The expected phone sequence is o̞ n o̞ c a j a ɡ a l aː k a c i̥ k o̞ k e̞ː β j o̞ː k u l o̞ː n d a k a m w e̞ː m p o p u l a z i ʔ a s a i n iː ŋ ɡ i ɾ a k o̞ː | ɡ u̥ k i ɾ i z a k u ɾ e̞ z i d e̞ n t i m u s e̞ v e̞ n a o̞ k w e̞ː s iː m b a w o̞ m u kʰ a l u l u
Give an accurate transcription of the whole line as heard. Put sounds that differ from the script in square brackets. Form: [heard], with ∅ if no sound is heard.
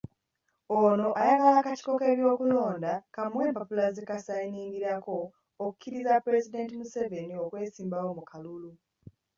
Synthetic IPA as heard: o̞ n o̞ [ʔ] a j a ɡ a l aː k a c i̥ k o̞ k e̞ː β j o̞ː k u l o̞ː n d a k a m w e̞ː m p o p u l a z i [k] a s a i n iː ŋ ɡ i ɾ a k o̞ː | [k] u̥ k i ɾ i z a [p] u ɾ e̞ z i d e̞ n t i m u s e̞ v e̞ n [i] o̞ k w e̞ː s iː m b a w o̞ m u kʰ a l u l u